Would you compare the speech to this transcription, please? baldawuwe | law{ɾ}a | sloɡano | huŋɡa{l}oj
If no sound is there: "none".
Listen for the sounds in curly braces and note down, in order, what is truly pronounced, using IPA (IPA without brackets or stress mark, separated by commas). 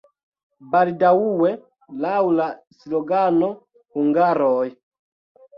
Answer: l, ɾ